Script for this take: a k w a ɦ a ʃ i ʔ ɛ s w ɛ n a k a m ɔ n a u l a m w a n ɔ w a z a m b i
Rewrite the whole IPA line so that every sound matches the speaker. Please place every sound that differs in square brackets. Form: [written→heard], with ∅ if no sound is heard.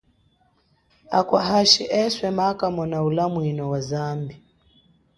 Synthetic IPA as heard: a k w a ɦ a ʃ i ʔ ɛ s w ɛ [n→m] a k a m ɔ n a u l a m w [a→i] n ɔ w a z a m b i